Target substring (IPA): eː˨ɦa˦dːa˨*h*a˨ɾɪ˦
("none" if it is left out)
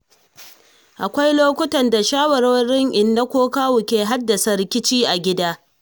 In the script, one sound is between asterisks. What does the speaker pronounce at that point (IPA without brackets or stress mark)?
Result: s